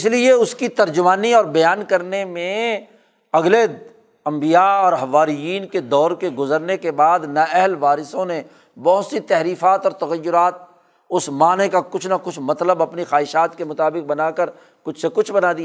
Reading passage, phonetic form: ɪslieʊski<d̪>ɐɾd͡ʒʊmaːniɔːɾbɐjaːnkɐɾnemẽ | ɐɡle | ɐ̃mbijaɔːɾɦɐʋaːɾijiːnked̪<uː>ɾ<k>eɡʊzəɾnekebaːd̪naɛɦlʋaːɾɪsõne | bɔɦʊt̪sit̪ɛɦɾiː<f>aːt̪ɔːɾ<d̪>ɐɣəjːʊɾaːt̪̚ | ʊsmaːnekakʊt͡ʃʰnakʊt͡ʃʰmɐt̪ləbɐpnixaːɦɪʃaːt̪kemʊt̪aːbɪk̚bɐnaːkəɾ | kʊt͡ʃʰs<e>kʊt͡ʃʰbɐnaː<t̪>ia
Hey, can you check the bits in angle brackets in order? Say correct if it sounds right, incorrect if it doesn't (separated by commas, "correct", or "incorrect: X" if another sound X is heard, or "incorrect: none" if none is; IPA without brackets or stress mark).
incorrect: t̪, incorrect: ɔː, correct, correct, incorrect: t̪, correct, incorrect: d̪